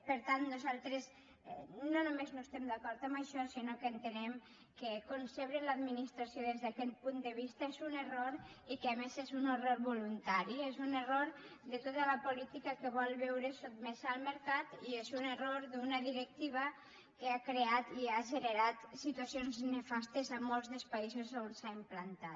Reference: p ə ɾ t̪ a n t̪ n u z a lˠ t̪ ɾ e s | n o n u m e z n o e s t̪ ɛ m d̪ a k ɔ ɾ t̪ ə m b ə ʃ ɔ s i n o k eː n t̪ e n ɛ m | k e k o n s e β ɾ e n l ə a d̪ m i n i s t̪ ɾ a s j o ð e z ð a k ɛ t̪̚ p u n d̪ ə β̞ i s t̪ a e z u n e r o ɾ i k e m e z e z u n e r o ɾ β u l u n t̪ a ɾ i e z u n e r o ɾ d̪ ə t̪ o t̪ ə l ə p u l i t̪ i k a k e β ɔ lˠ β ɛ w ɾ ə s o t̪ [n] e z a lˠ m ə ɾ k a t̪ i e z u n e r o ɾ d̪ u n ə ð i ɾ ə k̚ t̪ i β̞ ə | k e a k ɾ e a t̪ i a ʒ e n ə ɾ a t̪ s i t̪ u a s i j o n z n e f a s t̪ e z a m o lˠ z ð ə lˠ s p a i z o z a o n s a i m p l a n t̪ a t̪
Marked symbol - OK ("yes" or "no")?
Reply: no